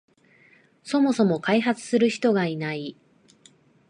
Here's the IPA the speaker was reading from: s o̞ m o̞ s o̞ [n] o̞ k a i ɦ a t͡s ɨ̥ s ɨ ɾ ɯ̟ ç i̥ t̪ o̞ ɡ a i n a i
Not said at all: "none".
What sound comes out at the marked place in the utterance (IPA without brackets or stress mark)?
m